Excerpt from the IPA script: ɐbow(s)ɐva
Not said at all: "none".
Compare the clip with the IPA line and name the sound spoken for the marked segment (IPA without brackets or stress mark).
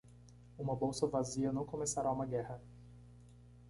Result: s